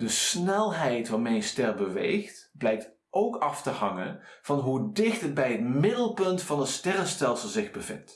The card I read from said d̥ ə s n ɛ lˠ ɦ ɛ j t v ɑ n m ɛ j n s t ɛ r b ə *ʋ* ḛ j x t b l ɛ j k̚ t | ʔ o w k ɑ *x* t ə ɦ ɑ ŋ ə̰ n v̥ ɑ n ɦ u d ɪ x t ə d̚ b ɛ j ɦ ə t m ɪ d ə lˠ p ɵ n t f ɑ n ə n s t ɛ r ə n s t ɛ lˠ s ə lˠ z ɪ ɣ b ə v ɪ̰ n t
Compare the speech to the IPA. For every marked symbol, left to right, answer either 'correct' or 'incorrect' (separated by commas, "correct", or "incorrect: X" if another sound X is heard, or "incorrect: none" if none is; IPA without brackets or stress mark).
correct, incorrect: f